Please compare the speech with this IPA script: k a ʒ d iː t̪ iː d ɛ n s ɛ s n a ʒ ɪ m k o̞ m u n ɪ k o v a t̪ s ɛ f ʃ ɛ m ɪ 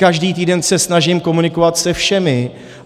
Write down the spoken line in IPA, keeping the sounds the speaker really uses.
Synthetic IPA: k a ʒ d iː t̪ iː d ɛ n s ɛ s n a ʒ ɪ m k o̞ m u n ɪ k o v a t̪ s ɛ f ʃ ɛ m ɪ